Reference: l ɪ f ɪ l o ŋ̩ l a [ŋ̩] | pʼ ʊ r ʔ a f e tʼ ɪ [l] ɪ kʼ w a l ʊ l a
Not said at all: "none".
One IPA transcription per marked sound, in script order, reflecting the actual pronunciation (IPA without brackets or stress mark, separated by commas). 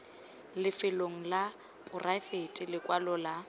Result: none, l